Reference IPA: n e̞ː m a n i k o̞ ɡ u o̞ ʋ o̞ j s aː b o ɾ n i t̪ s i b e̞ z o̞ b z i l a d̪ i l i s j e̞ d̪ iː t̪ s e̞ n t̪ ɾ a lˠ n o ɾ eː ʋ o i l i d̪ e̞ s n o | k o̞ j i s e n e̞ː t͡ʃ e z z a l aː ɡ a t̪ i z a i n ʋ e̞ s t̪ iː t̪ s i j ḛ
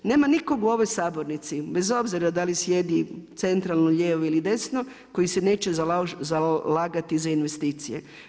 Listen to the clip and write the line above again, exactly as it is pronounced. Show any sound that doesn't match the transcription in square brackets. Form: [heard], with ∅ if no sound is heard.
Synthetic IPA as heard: n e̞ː m a n i k o̞ ɡ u o̞ ʋ o̞ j s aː b o ɾ n i t̪ s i b e̞ z o̞ b z i [ɾ] a d̪ [a] l i s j e̞ d̪ [i] t̪ s e̞ n t̪ ɾ a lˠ n o [ʎ] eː ʋ o i l i d̪ e̞ s n o | k o̞ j i s e n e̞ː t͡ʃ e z z a l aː ɡ a t̪ i z a i n ʋ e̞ s t̪ iː t̪ s i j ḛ